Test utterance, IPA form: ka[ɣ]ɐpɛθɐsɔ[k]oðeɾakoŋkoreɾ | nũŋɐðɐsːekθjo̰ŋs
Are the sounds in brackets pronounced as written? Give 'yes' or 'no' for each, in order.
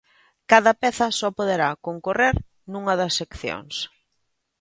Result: no, no

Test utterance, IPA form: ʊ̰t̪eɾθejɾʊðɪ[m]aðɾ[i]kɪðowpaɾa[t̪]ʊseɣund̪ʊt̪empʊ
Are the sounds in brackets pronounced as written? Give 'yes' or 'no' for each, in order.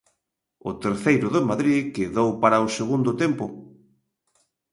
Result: yes, yes, no

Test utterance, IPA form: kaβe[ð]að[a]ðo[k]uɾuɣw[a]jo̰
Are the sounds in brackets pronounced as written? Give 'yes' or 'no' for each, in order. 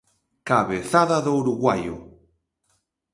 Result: no, yes, no, yes

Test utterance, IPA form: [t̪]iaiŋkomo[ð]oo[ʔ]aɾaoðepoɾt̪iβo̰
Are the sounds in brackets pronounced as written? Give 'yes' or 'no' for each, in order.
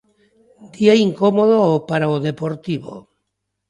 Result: no, yes, no

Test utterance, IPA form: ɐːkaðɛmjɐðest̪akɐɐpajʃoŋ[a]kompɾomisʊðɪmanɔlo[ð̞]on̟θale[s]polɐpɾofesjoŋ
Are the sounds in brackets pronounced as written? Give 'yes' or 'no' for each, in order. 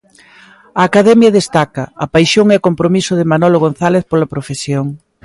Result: no, no, no

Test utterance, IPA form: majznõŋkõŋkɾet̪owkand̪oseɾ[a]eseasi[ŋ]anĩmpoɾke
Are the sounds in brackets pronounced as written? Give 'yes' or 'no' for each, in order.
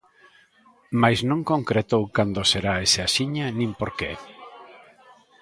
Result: yes, no

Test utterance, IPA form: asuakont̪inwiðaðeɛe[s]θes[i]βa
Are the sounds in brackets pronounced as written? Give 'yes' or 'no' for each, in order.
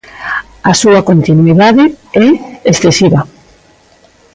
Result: yes, yes

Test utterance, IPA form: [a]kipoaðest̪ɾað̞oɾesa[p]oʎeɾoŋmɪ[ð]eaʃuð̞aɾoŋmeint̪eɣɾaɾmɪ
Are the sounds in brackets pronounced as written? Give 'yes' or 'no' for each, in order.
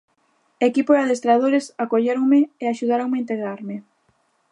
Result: no, no, no

